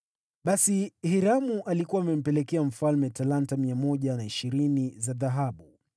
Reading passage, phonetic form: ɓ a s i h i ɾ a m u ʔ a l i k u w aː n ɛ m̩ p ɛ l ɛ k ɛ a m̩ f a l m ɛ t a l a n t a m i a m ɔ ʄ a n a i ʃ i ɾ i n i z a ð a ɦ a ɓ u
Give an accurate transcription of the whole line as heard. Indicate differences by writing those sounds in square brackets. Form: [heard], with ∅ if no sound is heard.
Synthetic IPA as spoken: ɓ a s i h i ɾ a m u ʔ a l i k u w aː [m] ɛ m̩ p ɛ l ɛ k ɛ a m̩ f a l m ɛ t a l a n t a m i a m ɔ ʄ a n a i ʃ i ɾ i n i z a ð a ɦ a ɓ u